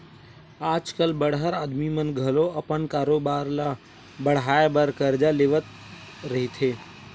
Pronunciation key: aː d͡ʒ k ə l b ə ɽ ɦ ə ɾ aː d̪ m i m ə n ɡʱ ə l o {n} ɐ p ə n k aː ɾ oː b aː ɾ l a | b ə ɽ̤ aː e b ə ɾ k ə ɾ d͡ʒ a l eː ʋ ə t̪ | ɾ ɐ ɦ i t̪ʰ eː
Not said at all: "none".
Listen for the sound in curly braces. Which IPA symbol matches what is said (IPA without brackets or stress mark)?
none